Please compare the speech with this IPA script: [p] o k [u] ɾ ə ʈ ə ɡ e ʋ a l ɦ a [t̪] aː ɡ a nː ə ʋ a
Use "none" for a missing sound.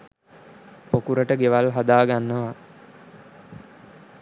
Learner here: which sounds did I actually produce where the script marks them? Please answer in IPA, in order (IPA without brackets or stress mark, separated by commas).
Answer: p, u, d̪